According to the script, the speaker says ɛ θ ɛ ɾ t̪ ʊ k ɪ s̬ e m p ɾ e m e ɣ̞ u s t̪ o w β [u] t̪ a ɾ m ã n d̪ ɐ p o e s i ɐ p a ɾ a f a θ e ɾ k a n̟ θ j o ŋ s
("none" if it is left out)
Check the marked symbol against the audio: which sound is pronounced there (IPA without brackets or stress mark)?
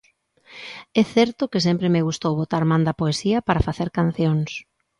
o